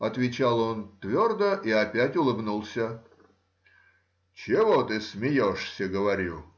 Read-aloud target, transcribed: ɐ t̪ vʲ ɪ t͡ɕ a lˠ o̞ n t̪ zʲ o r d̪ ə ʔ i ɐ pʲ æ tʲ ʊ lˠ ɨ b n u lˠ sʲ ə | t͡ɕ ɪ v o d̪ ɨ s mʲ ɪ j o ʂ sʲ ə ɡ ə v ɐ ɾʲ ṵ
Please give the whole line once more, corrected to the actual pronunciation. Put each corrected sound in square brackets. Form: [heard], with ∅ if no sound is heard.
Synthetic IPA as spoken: ɐ t̪ vʲ ɪ t͡ɕ a lˠ o̞ n t̪ [vʲ] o r d̪ ə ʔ i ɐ pʲ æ tʲ ʊ lˠ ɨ b n u lˠ sʲ ə | t͡ɕ ɪ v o [t̪] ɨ s mʲ ɪ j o ʂ sʲ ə ɡ ə v ɐ ɾʲ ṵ